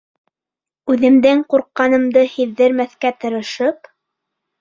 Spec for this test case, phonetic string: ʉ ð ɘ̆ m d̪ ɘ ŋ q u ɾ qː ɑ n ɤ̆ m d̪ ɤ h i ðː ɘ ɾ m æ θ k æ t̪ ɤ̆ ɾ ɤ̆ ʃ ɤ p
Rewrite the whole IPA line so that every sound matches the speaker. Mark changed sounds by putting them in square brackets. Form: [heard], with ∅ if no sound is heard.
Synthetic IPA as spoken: ʉ ð ɘ̆ m d̪ ɘ ŋ q u ɾ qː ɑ n ɤ̆ m d̪ ɤ h i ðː ɘ ɾ m æ θ k æ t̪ ɤ̆ ɾ ɤ̆ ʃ ɤ p